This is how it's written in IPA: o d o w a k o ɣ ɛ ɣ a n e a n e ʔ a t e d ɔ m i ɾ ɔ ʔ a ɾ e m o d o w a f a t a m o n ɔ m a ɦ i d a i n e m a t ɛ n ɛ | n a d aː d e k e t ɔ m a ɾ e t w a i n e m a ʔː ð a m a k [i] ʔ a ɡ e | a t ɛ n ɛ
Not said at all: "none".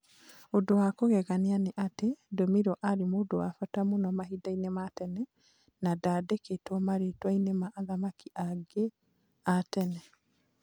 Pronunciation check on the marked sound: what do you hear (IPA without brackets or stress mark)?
i